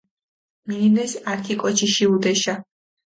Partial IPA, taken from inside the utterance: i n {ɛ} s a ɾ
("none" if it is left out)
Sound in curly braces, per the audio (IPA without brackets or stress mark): ɛ